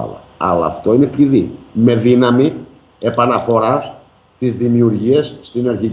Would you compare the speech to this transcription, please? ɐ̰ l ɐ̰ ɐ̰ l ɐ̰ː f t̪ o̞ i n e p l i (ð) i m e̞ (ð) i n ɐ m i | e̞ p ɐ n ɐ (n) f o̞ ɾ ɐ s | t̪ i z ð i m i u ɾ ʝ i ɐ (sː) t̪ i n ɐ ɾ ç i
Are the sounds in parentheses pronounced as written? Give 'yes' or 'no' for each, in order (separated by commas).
yes, yes, no, yes